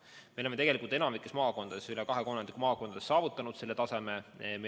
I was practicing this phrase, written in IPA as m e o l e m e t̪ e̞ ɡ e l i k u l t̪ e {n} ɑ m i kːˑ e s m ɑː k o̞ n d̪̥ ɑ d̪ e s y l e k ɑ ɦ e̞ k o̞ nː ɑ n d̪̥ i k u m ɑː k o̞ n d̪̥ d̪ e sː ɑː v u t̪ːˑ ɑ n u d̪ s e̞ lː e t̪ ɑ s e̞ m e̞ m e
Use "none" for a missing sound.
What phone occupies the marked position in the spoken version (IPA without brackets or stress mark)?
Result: n